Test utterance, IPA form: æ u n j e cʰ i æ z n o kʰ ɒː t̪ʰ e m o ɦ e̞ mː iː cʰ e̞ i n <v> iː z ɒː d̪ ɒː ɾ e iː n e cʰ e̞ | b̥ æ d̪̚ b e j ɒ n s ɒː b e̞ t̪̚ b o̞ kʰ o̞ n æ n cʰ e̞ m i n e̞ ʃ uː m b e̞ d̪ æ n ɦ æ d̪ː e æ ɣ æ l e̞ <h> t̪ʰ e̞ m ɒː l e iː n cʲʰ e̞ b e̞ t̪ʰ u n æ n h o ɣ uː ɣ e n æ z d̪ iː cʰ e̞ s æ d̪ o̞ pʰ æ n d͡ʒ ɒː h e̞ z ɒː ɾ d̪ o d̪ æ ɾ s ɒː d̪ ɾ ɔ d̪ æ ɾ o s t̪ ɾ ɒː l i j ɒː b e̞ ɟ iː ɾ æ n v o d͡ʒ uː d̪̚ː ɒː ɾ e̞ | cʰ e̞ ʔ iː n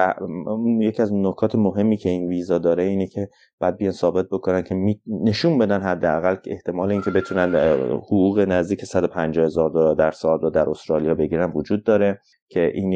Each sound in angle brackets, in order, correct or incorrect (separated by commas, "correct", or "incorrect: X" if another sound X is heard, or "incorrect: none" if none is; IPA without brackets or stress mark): correct, correct